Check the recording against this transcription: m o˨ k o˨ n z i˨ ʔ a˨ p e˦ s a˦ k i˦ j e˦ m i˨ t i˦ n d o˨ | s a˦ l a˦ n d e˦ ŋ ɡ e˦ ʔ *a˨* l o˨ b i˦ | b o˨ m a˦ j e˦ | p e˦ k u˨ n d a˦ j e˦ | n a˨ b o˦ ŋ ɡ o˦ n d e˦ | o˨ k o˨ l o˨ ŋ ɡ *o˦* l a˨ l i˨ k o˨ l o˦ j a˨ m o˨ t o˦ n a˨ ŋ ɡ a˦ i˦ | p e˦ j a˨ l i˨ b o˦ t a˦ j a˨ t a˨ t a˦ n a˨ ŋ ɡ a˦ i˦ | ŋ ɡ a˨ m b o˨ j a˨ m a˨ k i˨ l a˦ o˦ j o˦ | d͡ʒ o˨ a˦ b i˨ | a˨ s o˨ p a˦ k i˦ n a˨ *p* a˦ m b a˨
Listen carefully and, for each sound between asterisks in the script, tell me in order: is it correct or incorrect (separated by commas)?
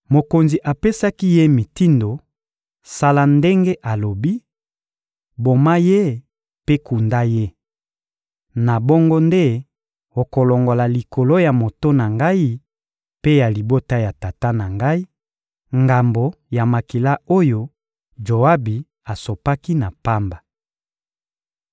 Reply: correct, incorrect, correct